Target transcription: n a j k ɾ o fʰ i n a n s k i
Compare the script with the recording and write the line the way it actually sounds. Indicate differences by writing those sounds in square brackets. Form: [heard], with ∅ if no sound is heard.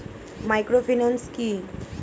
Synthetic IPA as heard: [m] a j k ɾ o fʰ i n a n s k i